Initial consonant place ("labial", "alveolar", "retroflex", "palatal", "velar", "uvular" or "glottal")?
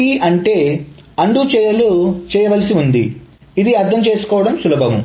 retroflex